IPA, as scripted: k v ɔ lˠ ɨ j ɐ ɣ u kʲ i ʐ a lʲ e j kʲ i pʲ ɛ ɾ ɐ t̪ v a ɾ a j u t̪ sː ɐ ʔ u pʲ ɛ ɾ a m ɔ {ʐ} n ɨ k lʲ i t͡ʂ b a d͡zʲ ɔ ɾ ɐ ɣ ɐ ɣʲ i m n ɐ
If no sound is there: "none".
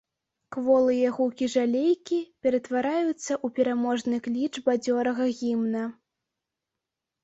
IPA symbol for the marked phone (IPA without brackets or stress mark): ʐ